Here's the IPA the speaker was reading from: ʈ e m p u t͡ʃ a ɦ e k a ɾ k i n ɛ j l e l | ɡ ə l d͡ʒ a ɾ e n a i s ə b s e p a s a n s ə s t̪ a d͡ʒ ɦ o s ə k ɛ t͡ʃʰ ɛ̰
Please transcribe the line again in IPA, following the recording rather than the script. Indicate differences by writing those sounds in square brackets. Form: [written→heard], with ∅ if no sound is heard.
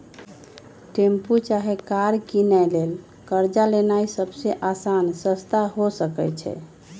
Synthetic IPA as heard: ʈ e m p u t͡ʃ a ɦ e k a ɾ k i n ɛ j l e l | [ɡ→k] ə [l→ɾ] d͡ʒ a [ɾ→l] e n a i s ə b s e [p→ʔ] a s a n s ə s t̪ a [d͡ʒ→∅] ɦ o s ə k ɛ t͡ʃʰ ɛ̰